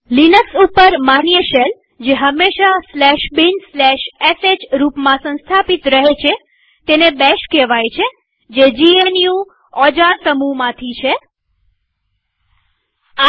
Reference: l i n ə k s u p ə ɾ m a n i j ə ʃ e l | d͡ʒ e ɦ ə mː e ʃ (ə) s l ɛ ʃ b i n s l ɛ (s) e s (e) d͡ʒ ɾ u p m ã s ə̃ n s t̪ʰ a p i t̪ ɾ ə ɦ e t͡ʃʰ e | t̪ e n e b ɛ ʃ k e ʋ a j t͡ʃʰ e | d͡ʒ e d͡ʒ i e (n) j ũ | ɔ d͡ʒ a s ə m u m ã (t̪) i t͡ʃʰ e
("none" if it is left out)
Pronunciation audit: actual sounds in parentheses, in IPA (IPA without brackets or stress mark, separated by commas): a, ʃ, e, n, t̪ʰ